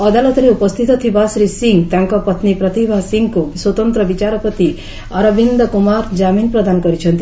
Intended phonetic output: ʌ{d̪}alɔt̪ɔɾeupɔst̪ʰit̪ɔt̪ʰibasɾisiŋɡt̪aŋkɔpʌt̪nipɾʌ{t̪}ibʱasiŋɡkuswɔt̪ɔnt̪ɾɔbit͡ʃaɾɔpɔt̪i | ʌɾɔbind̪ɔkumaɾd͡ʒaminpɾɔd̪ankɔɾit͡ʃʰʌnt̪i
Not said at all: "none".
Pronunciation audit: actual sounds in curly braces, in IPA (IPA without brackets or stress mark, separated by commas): d̪, t̪